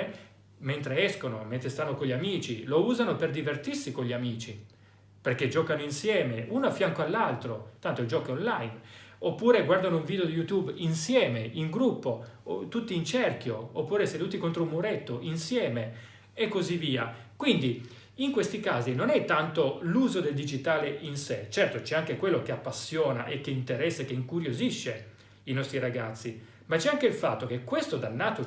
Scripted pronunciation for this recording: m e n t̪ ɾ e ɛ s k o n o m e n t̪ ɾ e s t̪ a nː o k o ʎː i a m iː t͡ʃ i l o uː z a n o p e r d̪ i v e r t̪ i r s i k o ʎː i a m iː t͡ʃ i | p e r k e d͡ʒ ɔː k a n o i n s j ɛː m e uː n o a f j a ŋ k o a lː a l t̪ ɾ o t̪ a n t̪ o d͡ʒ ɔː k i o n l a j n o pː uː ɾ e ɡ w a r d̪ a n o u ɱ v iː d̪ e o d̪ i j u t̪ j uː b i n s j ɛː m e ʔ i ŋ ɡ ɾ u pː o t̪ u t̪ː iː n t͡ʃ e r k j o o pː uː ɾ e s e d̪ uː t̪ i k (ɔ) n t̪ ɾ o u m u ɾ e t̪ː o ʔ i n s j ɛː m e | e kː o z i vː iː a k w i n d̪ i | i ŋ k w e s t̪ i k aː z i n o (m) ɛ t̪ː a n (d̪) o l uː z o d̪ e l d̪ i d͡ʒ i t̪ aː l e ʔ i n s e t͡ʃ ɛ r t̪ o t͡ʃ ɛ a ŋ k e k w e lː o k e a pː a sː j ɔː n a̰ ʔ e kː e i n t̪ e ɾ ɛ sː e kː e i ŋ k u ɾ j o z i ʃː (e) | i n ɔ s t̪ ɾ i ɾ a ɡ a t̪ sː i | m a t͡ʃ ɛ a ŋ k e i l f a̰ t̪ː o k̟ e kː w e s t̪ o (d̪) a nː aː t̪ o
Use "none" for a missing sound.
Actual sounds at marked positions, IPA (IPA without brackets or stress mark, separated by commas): o, n, t̪, e, d̪